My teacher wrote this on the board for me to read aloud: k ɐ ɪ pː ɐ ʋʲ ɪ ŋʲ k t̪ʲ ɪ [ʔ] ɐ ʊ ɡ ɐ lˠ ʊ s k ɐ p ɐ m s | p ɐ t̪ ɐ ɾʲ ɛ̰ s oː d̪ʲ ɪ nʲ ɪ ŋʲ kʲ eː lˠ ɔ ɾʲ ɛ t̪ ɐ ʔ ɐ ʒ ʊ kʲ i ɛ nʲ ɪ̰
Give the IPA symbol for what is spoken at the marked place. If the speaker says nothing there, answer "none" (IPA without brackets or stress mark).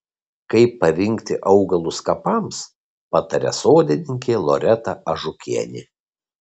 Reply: ʔ